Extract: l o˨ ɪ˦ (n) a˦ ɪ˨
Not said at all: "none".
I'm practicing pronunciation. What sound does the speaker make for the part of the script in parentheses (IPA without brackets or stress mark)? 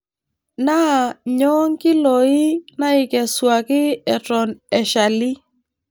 n